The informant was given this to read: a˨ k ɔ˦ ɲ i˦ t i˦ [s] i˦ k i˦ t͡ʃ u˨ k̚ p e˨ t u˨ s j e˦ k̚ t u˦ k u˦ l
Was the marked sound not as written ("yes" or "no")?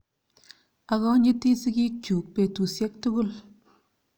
no